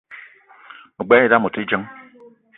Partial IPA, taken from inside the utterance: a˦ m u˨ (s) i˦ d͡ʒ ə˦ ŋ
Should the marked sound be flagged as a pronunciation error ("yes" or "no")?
yes